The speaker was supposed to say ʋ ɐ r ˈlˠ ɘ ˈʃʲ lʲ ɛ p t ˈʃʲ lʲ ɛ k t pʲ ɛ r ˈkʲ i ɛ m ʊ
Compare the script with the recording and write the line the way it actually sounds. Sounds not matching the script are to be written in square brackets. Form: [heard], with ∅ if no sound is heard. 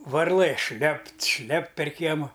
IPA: ʋ ɐ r ˈlˠ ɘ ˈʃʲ lʲ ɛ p t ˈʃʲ lʲ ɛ [p] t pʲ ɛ r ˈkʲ i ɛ m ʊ